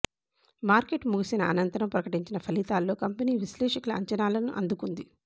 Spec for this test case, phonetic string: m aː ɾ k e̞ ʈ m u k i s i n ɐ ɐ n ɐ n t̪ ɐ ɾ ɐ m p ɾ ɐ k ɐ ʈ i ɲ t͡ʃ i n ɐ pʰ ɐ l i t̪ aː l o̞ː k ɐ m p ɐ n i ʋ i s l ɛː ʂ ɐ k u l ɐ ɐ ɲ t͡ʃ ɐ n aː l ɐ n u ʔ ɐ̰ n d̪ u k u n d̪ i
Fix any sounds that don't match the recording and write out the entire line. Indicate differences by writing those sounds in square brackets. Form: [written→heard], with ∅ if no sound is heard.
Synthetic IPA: m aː ɾ k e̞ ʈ m u [k→ɡ] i s i n ɐ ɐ n ɐ n t̪ ɐ ɾ ɐ m p ɾ ɐ k ɐ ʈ i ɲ t͡ʃ i n ɐ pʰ ɐ l i t̪ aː [l→lː] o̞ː k ɐ m p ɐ n [i→iː] ʋ i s l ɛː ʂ ɐ k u l ɐ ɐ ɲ t͡ʃ ɐ n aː l ɐ n u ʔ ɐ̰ n d̪ u k u n d̪ i

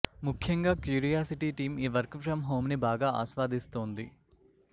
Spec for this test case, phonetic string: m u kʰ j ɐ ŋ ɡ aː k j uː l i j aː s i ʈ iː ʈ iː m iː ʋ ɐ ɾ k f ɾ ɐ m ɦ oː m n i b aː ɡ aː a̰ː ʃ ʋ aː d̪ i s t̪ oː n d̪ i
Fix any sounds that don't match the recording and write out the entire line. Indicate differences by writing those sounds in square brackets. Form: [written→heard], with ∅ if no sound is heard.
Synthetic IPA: m u kʰ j ɐ ŋ ɡ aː k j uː [l→ɾ] i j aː s i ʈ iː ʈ iː m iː ʋ ɐ ɾ k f ɾ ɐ m ɦ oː m n i b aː ɡ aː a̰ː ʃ ʋ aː d̪ i s t̪ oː n d̪ i

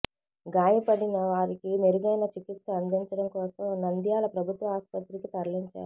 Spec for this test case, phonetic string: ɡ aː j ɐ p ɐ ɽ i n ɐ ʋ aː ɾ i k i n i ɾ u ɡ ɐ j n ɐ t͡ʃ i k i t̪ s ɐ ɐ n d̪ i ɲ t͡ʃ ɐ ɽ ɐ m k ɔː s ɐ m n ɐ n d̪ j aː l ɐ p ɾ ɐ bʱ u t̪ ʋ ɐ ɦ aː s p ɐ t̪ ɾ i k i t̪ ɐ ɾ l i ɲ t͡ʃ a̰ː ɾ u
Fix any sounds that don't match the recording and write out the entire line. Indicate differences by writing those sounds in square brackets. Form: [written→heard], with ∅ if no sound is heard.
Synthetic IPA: ɡ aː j ɐ p ɐ ɽ i n ɐ ʋ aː ɾ i k i n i ɾ u ɡ ɐ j n ɐ t͡ʃ i k i t̪ s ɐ ɐ n d̪ i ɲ t͡ʃ ɐ ɽ ɐ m k ɔː s ɐ m n ɐ n d̪ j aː l ɐ p ɾ ɐ bʱ u t̪ ʋ ɐ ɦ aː s p ɐ t̪ ɾ i k i t̪ ɐ ɾ l i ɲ t͡ʃ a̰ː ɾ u

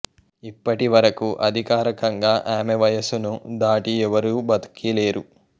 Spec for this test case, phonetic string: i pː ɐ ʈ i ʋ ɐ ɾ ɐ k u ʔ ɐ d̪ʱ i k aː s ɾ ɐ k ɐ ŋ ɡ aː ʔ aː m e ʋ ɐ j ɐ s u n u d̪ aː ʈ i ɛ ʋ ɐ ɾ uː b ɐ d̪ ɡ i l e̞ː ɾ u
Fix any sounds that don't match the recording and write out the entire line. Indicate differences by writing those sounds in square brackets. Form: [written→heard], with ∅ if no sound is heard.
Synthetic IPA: i pː ɐ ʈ i ʋ ɐ ɾ ɐ k u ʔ ɐ d̪ʱ i k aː [s→∅] ɾ ɐ k ɐ ŋ ɡ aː ʔ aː m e ʋ ɐ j ɐ s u n u d̪ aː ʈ i ɛ ʋ ɐ ɾ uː b ɐ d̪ [ɡ→k] i l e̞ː ɾ u

